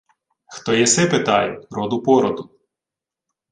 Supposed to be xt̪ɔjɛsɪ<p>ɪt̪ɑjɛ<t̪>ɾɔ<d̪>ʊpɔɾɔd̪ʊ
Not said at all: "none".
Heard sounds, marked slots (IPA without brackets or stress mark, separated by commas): p, none, d̪